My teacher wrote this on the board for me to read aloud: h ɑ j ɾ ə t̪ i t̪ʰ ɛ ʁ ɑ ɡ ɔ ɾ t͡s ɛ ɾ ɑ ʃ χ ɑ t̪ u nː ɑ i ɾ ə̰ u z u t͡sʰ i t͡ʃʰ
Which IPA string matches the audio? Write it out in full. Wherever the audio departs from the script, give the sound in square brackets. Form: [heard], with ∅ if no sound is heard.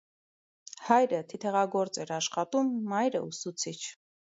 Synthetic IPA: h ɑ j ɾ ə [t̪ʰ] i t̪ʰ ɛ ʁ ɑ ɡ ɔ ɾ t͡s ɛ ɾ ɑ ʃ χ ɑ t̪ u [mː] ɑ [j] ɾ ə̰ u [s] u t͡sʰ i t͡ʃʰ